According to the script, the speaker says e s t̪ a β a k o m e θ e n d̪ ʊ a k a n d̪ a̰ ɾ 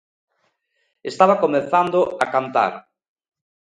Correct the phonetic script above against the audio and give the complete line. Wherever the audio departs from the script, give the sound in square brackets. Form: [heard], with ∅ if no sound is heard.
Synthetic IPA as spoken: e s t̪ a β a k o m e θ [a] n d̪ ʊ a k a n [t̪] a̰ ɾ